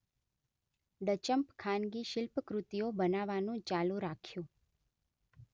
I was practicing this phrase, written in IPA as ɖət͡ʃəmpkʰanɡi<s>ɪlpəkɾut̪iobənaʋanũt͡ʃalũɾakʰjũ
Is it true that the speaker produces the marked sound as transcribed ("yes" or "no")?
no